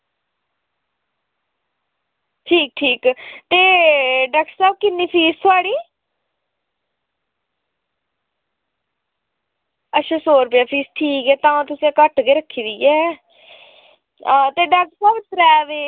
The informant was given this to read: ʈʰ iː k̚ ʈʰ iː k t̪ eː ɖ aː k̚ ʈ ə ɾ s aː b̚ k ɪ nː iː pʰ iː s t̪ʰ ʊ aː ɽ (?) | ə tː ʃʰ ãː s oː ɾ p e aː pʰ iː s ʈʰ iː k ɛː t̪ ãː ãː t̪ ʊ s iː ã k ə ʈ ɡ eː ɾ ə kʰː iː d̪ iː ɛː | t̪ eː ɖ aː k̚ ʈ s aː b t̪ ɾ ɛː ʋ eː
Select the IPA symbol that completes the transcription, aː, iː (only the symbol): iː